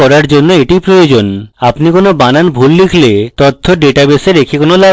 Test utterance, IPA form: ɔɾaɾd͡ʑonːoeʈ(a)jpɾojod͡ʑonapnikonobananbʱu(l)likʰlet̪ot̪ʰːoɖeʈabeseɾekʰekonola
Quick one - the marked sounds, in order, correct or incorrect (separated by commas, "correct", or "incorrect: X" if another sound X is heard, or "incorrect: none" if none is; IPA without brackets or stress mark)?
incorrect: i, correct